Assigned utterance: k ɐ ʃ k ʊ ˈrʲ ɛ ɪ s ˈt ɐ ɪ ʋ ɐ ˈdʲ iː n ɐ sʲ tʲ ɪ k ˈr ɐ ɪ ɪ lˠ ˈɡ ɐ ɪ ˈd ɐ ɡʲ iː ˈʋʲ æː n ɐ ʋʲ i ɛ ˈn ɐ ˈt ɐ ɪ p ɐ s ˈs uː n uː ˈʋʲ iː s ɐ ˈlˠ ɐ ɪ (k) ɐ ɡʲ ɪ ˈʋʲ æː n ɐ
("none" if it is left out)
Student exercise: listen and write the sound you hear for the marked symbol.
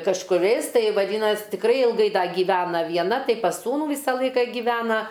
k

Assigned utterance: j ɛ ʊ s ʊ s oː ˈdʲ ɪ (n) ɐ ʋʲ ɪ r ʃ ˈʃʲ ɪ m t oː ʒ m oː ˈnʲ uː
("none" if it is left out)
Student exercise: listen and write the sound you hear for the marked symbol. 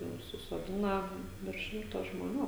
n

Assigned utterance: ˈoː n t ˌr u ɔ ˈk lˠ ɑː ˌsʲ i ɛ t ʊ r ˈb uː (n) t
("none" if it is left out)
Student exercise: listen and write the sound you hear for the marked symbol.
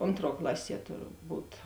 none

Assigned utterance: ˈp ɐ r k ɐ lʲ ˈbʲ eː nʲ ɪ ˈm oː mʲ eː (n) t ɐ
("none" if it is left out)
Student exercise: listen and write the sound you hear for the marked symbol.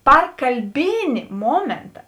n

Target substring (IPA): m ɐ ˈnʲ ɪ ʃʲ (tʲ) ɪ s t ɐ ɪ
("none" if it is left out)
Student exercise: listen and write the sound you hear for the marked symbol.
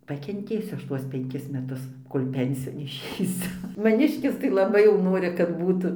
kʲ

